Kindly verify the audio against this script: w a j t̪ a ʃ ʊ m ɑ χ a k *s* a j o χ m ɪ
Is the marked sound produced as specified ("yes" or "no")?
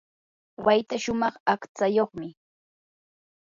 no